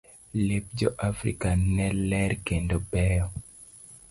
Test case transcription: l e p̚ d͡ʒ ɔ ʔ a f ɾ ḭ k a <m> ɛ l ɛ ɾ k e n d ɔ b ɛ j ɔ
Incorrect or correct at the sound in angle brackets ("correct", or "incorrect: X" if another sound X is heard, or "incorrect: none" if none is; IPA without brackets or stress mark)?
incorrect: n